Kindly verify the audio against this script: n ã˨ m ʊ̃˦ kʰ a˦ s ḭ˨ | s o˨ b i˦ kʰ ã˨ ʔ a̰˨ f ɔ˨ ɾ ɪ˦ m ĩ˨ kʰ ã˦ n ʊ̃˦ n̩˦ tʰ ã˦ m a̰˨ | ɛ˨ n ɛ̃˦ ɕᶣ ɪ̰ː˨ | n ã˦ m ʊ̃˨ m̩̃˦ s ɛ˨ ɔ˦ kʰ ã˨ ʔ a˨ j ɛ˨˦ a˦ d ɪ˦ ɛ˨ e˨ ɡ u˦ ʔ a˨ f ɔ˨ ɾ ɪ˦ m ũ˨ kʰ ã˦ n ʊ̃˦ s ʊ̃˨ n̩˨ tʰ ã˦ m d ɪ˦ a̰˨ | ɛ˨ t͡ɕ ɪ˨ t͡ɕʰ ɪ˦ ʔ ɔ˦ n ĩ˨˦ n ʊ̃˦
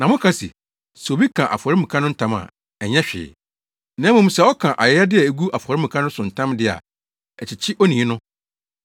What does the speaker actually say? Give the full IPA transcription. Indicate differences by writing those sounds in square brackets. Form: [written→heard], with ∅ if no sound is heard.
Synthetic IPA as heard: n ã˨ m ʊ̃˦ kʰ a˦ s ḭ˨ | s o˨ b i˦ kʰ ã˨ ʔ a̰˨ f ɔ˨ ɾ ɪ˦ m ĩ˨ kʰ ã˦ n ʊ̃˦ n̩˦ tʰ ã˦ m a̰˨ | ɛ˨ [n→ɲ] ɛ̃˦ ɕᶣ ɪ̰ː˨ | n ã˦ m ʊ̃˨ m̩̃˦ s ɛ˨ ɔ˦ kʰ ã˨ ʔ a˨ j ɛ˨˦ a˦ d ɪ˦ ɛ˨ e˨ ɡ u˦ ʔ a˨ f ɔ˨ ɾ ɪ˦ m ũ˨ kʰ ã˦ n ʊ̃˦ s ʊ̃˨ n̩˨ tʰ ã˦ m d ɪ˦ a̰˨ | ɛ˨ t͡ɕ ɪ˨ t͡ɕʰ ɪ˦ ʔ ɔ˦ n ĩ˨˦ n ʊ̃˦

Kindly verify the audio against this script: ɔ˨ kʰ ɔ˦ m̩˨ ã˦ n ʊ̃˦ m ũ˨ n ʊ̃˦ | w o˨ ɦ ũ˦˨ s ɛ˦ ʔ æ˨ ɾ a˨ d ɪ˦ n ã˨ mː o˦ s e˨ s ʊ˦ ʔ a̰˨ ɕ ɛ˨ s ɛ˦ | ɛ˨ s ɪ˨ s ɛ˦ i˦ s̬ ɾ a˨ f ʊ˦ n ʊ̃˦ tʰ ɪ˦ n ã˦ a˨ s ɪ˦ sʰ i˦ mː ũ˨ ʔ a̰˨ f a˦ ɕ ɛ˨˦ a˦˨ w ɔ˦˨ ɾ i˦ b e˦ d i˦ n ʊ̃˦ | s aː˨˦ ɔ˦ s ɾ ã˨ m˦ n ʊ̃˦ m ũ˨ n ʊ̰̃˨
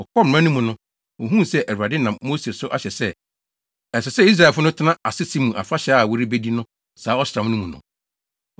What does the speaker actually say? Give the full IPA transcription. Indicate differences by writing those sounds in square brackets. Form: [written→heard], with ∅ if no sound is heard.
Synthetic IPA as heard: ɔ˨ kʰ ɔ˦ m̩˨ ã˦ n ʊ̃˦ m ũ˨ n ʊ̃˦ | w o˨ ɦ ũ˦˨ s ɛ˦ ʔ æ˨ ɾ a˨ d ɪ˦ n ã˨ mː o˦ s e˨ s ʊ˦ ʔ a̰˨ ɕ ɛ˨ s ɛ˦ | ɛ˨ s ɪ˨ s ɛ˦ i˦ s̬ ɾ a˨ f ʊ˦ n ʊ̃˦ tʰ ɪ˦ n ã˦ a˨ s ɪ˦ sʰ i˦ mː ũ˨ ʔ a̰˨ f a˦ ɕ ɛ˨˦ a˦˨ w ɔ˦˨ ɾ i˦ b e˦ d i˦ n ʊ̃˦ | s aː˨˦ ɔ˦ s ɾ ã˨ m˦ n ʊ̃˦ m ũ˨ n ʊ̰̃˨

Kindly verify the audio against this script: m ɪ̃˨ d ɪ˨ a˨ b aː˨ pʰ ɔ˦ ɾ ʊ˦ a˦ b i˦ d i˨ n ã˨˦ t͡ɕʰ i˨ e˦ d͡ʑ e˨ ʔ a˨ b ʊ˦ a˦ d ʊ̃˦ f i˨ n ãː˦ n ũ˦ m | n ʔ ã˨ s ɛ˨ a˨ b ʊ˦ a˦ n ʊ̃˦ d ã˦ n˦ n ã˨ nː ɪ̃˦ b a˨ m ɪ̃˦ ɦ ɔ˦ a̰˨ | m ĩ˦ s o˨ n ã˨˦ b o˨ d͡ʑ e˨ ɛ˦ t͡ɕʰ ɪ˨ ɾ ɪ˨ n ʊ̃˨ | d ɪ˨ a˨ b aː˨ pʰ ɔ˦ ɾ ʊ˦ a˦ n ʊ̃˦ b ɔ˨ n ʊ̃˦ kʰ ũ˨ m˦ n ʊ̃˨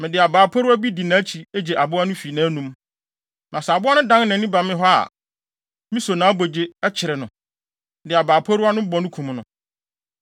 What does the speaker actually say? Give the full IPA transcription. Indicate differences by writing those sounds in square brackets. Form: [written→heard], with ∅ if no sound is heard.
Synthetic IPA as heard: m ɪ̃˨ d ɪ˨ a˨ b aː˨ pʰ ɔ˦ ɾ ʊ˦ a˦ b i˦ d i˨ n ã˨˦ t͡ɕʰ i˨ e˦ d͡ʑ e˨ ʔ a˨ b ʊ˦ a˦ [d→n] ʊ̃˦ f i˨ n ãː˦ n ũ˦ m | n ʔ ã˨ s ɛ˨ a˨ b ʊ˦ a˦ n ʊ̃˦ d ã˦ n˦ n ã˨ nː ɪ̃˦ b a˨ m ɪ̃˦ ɦ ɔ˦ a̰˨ | m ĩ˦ s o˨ n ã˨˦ b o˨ d͡ʑ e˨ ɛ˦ t͡ɕʰ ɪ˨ ɾ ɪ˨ n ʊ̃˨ | d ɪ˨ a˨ b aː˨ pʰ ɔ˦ ɾ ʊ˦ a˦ n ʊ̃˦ b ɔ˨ n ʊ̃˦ kʰ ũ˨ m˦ n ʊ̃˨

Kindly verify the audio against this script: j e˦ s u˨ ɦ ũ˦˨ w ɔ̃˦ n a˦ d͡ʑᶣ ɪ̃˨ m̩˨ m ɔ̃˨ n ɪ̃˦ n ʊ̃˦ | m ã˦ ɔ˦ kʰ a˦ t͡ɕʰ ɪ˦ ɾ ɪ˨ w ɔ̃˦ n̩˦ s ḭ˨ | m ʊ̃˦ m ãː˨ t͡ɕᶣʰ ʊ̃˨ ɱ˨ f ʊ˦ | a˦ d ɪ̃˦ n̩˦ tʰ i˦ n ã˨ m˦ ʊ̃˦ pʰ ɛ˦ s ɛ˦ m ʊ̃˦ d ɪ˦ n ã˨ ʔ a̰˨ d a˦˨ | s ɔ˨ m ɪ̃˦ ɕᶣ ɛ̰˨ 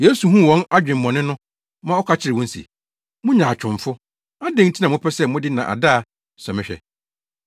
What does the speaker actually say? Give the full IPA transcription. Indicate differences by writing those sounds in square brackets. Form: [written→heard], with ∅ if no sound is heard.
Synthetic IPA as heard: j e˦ s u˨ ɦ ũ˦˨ w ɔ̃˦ n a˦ d͡ʑᶣ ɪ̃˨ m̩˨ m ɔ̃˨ n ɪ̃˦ n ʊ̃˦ | m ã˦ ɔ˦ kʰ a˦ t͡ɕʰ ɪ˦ ɾ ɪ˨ w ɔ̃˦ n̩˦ s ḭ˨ | m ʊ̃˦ [m→ɲ] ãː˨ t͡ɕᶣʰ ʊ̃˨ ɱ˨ f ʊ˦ | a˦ d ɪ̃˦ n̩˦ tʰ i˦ n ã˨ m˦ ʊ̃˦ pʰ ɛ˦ s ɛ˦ m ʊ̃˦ d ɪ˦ n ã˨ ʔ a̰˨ d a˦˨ | s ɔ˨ m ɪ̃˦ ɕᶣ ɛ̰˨

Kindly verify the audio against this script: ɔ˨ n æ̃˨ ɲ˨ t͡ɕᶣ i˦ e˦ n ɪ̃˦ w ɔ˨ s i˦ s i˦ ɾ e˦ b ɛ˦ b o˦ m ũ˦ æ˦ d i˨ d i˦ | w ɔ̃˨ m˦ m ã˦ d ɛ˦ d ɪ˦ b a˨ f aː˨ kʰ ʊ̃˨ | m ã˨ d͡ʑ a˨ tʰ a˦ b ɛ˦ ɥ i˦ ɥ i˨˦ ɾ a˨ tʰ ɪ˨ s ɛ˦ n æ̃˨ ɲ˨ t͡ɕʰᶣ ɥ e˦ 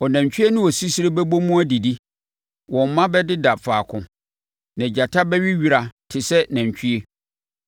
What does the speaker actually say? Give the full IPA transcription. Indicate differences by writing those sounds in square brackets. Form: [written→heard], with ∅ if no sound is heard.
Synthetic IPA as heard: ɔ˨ n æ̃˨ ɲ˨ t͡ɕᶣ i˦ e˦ n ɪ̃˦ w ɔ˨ s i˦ s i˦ ɾ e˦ b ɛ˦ b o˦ m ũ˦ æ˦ d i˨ d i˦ | w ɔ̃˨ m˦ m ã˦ [d→b] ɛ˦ d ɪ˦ [b→d] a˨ f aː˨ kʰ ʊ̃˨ | [m→n] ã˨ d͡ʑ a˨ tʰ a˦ b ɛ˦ ɥ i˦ ɥ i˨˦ ɾ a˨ tʰ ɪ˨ s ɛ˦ n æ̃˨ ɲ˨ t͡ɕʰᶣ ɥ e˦

